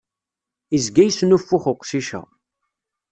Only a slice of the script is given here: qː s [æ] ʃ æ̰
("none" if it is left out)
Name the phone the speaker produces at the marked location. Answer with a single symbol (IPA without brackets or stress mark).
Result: i